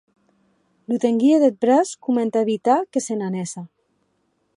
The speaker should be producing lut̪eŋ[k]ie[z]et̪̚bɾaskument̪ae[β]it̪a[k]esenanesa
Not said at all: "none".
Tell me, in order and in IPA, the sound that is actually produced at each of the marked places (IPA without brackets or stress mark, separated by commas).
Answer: ɡ, ð, β, k